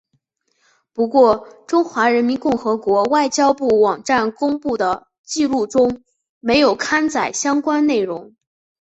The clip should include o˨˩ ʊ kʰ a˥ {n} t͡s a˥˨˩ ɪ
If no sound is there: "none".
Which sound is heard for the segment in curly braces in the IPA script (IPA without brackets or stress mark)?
n